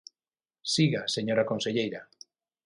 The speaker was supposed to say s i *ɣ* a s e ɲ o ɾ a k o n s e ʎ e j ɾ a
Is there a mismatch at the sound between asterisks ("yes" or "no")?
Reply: no